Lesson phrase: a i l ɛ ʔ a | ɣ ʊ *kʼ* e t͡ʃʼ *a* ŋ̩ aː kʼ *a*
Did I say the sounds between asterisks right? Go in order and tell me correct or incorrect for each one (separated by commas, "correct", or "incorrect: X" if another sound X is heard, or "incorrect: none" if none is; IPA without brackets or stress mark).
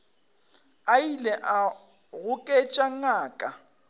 correct, correct, correct